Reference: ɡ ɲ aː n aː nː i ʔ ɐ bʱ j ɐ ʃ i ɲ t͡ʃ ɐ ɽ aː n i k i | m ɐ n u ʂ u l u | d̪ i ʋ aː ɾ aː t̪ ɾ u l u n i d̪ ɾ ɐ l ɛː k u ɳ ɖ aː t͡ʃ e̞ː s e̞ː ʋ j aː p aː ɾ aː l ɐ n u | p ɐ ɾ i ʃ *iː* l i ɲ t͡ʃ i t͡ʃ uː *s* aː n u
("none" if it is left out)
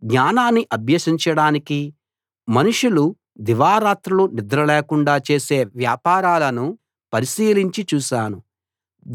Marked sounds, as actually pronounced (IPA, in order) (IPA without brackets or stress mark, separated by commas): iː, ʃ